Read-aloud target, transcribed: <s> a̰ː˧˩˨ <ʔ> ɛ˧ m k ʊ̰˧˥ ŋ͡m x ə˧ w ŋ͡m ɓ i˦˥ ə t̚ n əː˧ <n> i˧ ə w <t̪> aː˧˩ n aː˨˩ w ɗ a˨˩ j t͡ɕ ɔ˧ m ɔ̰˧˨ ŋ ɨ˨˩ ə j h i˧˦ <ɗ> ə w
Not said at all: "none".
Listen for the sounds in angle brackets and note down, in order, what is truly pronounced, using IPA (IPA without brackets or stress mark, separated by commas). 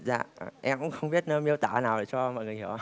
z, ʔ, m, t̪, none